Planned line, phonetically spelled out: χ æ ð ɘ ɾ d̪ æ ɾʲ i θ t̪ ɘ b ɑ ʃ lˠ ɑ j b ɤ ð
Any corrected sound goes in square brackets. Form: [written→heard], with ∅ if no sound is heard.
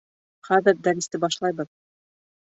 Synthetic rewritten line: χ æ ð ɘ ɾ d̪ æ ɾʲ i [θ→s] t̪ ɘ b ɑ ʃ lˠ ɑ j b ɤ ð